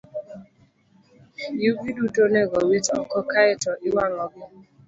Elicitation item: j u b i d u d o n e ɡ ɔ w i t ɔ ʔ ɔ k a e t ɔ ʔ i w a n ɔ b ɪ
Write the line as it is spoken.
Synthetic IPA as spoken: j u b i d u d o n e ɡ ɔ w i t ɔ k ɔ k a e t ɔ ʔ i w a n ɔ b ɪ

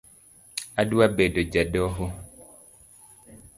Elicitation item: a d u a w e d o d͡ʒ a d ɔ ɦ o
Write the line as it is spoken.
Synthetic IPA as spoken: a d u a b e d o d͡ʒ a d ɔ ɦ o

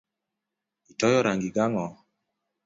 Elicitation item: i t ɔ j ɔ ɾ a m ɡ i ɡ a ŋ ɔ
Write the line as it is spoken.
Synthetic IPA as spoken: i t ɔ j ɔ ɾ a ŋ ɡ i ɡ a ŋ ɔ

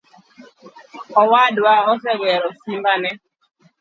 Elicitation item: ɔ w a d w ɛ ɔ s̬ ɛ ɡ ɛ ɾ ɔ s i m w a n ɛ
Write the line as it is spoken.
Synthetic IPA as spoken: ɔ w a d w a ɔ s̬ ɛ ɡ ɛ ɾ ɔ s i m b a n ɛ

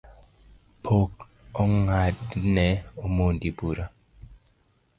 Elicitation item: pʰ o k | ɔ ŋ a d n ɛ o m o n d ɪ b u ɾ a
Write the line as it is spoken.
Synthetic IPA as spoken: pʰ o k | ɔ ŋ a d n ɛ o m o n d i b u ɾ a

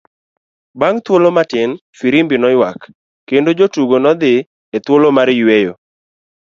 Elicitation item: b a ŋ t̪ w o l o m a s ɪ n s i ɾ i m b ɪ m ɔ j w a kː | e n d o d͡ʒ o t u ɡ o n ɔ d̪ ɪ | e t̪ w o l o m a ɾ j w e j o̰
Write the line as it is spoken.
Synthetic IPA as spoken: b a ŋ t̪ w o l o m a t ɪ n f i ɾ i m b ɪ n ɔ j w a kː | e n d o d͡ʒ o t u ɡ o n ɔ d̪ ɪ | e t̪ w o l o m a ɾ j w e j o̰

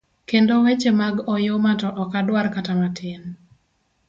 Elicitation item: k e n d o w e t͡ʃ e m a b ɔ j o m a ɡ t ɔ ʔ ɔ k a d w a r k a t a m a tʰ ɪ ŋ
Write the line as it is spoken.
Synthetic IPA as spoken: k e n d o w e t͡ʃ e m a ɡ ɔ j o m a t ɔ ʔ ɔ k a d w a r k a t a m a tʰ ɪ n

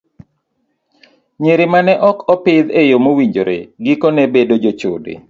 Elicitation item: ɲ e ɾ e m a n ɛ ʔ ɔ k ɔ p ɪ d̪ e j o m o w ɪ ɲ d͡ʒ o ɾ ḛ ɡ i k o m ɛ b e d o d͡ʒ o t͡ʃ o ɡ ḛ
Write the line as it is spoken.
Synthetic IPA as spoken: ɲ e ɾ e m a n ɛ ʔ ɔ k ɔ p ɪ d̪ e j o m o w i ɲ d͡ʒ o ɾ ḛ ɡ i k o n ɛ b e d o d͡ʒ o t͡ʃ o d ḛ

